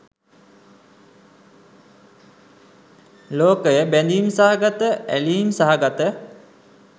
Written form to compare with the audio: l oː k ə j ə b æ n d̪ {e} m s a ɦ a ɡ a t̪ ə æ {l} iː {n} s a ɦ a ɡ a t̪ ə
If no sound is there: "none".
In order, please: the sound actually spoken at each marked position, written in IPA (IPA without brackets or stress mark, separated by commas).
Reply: i, l, m